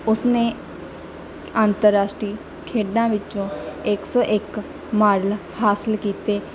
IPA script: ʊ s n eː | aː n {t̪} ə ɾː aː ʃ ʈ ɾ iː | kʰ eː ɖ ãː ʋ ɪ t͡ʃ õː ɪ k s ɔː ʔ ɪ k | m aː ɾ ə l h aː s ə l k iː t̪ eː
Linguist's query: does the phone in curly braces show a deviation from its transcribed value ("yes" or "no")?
no